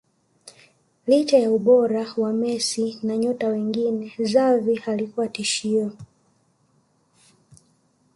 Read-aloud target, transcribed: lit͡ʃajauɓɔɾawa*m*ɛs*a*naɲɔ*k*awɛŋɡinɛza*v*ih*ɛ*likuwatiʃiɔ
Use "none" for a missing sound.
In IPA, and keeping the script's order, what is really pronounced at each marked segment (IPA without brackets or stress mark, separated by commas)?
m, i, t, v, a